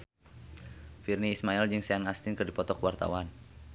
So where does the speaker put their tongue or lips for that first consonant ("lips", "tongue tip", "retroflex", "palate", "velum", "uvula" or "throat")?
lips